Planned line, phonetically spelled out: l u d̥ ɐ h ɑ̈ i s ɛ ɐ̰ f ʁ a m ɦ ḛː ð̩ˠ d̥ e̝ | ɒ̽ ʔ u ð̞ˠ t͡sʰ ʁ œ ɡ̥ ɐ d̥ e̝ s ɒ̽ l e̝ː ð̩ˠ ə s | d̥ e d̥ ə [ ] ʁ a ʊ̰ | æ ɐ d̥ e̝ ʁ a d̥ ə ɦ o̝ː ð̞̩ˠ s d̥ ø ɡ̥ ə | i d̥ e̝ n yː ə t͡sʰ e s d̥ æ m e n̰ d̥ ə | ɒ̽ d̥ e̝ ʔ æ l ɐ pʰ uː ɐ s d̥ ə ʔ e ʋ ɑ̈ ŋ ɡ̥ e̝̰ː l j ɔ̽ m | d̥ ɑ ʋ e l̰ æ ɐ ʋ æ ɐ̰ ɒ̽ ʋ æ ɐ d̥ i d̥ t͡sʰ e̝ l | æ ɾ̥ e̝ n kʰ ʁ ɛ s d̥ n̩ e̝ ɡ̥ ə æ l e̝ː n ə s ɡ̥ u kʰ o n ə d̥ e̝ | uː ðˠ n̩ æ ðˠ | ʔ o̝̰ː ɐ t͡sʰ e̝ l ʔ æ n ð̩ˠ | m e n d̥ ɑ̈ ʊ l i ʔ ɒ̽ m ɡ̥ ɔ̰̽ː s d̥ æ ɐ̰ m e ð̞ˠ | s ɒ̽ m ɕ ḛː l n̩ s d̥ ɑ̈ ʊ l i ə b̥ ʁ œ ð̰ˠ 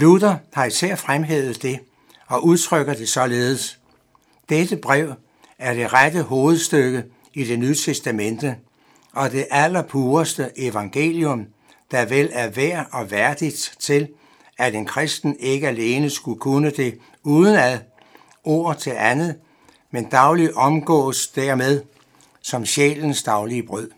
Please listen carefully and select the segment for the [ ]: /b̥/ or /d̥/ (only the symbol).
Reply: b̥